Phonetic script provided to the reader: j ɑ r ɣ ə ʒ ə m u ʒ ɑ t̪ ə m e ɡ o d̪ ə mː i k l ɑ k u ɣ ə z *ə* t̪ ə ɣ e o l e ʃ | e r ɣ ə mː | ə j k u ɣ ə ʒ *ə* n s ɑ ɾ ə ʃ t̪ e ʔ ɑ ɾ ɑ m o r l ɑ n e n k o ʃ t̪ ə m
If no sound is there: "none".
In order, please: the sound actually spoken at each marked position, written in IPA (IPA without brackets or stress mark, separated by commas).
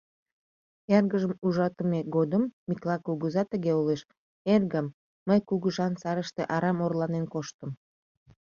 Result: ɑ, ɑ